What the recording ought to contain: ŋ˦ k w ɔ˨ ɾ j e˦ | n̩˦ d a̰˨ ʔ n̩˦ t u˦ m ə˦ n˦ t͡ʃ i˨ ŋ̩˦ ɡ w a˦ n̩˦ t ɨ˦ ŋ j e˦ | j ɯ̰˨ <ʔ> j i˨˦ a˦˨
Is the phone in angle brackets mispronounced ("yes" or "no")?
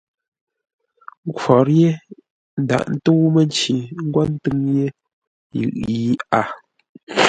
no